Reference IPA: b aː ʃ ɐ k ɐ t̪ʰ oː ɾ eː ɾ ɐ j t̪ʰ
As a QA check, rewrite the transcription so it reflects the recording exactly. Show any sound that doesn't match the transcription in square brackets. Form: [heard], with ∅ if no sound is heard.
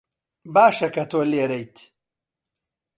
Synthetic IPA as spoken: b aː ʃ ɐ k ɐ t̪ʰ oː [l] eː ɾ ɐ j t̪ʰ